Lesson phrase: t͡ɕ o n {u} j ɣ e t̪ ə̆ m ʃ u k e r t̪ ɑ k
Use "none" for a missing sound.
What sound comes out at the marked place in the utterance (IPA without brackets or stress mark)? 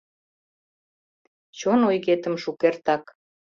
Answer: o